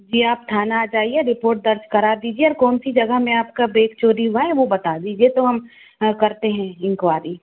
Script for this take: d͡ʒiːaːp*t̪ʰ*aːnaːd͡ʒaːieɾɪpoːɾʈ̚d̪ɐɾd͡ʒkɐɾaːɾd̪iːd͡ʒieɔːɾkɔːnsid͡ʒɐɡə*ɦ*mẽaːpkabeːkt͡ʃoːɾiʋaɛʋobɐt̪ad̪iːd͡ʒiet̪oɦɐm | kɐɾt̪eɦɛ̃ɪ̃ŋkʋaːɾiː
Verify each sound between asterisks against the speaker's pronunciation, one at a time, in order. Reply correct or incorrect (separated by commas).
correct, correct